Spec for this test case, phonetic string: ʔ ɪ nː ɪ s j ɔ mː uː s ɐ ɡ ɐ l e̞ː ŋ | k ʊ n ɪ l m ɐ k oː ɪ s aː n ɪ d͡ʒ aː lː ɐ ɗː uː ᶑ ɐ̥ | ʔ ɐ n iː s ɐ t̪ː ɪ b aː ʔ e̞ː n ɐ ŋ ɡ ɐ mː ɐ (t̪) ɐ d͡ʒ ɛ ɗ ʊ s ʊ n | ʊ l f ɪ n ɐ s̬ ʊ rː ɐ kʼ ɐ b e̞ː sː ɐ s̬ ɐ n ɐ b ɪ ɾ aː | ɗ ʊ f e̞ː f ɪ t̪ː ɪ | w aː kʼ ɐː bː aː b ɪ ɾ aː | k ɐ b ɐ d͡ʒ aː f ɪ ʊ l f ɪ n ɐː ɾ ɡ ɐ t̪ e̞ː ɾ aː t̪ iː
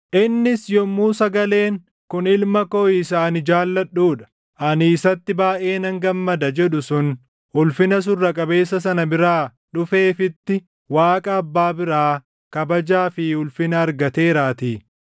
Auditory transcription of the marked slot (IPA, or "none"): d̪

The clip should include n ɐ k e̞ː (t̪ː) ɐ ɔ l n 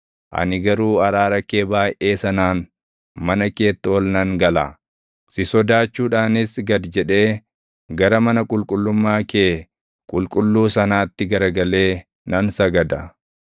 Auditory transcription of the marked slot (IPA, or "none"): t̪ː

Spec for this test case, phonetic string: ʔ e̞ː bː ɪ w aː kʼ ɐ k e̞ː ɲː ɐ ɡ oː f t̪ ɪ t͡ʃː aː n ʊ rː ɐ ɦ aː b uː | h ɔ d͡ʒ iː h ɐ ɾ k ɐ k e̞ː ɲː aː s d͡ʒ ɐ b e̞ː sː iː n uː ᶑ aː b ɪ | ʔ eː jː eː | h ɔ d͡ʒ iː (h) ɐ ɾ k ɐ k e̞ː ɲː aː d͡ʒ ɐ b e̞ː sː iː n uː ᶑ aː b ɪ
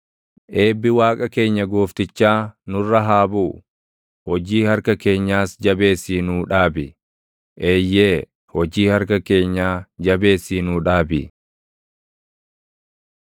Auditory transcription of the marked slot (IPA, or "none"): h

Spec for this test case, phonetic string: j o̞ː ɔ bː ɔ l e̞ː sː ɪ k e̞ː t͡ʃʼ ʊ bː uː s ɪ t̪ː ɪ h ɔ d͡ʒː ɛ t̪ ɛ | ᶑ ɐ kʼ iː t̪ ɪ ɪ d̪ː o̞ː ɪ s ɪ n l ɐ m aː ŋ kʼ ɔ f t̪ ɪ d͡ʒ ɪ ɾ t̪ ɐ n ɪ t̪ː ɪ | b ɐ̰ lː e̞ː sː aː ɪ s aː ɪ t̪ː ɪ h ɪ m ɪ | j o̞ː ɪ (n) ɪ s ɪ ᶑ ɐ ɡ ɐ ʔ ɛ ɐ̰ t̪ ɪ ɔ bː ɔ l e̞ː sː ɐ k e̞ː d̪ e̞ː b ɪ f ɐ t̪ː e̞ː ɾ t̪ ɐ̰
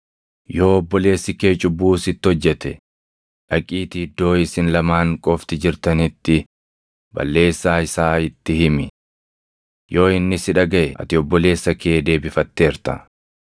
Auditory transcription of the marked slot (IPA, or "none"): nː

